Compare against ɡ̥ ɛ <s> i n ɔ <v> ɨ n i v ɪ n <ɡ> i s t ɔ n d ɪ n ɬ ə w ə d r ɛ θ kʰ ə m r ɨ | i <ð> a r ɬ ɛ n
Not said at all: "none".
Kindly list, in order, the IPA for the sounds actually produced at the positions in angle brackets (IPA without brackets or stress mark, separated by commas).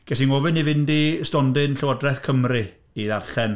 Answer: s, v, d, ð